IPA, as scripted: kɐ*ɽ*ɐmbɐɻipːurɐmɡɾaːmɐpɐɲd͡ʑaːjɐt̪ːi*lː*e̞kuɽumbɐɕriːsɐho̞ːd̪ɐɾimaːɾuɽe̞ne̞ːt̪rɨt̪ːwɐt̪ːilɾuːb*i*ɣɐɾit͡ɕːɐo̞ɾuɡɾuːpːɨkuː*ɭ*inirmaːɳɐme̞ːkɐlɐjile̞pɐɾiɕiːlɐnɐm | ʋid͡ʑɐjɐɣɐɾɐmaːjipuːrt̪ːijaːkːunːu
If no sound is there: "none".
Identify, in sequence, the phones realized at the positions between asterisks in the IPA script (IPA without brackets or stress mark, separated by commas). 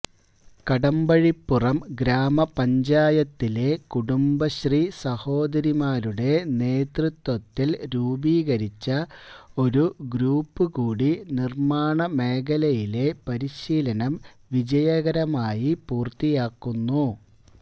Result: ɽ, l, iː, ɽ